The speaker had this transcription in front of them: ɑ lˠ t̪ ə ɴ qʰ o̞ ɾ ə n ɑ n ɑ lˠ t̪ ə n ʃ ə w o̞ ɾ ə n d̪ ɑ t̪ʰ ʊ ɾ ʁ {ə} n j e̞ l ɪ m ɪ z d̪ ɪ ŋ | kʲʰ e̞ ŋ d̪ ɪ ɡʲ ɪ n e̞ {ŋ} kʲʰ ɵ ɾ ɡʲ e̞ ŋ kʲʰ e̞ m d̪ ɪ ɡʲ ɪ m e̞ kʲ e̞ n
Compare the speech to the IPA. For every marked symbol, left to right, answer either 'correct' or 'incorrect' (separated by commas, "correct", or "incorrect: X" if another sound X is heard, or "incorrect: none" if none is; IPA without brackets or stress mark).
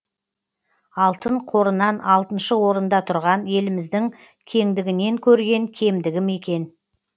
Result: incorrect: ɑ, correct